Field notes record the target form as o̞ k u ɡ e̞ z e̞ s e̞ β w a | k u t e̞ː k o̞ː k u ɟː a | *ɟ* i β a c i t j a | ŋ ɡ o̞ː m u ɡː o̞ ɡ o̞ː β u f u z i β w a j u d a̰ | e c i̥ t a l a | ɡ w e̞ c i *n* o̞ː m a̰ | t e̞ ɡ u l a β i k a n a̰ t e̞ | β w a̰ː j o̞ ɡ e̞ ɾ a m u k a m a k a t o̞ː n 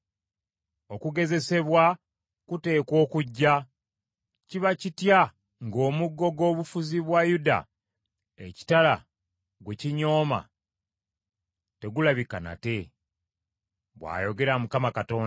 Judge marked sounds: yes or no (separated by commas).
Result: no, no